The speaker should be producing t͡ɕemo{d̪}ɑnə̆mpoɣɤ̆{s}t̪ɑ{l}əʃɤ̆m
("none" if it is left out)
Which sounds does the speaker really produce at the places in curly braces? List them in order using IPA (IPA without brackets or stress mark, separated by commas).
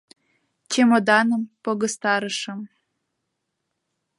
d̪, s, ɾ